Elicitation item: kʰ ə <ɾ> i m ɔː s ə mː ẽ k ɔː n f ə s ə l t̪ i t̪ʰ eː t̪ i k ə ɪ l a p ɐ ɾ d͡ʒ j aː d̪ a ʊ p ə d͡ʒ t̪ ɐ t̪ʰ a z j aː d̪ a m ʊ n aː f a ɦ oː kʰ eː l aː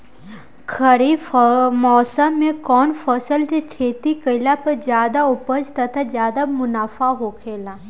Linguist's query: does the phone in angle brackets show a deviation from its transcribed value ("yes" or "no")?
no